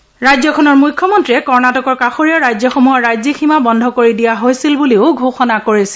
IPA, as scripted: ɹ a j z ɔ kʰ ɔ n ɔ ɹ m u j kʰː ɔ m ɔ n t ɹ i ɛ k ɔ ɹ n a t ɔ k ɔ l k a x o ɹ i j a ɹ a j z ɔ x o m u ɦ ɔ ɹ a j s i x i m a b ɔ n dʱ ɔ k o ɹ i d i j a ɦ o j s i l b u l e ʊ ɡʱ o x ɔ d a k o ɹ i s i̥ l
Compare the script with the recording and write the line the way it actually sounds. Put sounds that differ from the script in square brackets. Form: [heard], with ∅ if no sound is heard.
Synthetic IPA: ɹ a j z ɔ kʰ ɔ n ɔ ɹ m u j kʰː ɔ m ɔ n t ɹ i ɛ k ɔ ɹ n a t ɔ k ɔ [ɹ] k a x o ɹ i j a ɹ a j z ɔ x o m u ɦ ɔ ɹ a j [z] i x i m a b ɔ n dʱ ɔ k o ɹ i d i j a ɦ o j s i l b u l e ʊ ɡʱ o x ɔ [n] a k o ɹ i s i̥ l

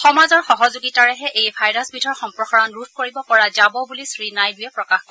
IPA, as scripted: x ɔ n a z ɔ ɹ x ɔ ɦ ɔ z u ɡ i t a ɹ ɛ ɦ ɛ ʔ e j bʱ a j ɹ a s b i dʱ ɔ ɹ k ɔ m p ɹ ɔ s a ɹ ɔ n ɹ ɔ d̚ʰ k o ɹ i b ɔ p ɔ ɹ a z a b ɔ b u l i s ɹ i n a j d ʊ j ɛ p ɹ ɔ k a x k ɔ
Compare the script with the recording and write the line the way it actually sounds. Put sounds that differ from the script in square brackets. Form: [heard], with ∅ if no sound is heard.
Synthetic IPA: x ɔ [m] a z ɔ ɹ x ɔ ɦ ɔ z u ɡ i t a ɹ ɛ ɦ ɛ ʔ e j bʱ a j ɹ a s b i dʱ ɔ ɹ [x] ɔ m p ɹ ɔ [x] a ɹ ɔ n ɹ [u] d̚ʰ k o ɹ i b ɔ p ɔ ɹ a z a b ɔ b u l i s ɹ i n a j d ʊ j ɛ p ɹ ɔ k a x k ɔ

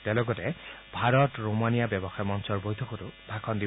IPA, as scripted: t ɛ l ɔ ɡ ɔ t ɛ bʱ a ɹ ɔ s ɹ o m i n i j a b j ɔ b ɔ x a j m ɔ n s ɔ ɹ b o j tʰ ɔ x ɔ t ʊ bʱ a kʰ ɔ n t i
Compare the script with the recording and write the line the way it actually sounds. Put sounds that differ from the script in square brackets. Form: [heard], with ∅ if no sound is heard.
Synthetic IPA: t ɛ l ɔ ɡ ɔ t ɛ bʱ a ɹ ɔ [t] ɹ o m [a] n i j a b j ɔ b ɔ x a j m ɔ n s ɔ ɹ b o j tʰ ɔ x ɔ t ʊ bʱ a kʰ ɔ n [d] i

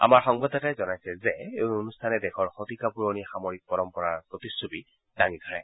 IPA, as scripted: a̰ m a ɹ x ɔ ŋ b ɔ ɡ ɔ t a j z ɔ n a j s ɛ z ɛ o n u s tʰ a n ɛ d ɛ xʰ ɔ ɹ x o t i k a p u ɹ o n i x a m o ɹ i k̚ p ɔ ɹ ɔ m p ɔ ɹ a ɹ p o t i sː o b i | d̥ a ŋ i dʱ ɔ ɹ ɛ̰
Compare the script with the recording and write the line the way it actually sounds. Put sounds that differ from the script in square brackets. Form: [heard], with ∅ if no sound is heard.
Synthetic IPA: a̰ m a ɹ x ɔ ŋ b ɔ [d] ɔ t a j z ɔ n a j s ɛ z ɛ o n u s tʰ a n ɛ d ɛ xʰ ɔ ɹ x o t i k a p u ɹ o n i x a m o ɹ i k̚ p ɔ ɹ ɔ m p ɔ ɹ a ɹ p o t i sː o b i | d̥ a ŋ i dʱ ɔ ɹ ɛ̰

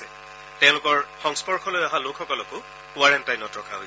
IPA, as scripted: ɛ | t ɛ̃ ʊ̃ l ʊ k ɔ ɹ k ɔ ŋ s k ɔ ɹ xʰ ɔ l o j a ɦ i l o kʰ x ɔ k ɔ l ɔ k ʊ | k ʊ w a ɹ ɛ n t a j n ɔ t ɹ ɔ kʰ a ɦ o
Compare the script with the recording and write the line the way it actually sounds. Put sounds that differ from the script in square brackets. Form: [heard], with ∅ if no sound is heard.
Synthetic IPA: ɛ | t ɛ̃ ʊ̃ l ʊ k ɔ ɹ [x] ɔ ŋ s [p] ɔ ɹ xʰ ɔ l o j a ɦ [a] l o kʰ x ɔ k ɔ l ɔ k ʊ | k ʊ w a ɹ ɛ n t a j n ɔ t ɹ ɔ kʰ a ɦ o

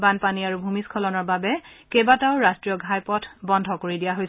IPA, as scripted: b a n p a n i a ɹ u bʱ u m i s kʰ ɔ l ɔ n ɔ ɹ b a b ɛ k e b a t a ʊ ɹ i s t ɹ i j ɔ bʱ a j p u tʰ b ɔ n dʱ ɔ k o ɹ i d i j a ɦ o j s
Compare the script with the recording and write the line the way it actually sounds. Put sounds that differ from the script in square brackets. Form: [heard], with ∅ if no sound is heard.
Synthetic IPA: b a n p a n i a ɹ u bʱ u m i s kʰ ɔ l ɔ n ɔ ɹ b a b ɛ k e b a t a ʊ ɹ [a] s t ɹ i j ɔ [ɡʱ] a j p [ɔ] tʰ b ɔ n dʱ ɔ k o ɹ i d i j a ɦ o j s

